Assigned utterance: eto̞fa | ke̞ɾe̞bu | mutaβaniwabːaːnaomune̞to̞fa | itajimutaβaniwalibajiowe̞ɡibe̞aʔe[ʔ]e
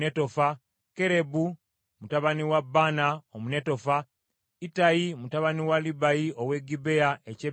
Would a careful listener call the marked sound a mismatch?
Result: yes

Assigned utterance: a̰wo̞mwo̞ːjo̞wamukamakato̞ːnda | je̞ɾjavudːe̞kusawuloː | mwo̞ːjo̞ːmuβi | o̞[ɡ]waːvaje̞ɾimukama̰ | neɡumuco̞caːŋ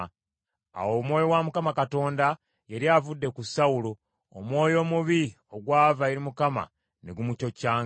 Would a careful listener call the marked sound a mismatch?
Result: no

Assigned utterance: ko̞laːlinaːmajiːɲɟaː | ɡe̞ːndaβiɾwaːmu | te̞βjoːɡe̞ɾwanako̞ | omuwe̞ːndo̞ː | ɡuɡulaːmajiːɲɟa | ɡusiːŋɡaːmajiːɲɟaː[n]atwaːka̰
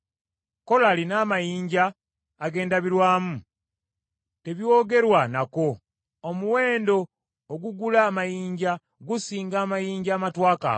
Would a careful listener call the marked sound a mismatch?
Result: yes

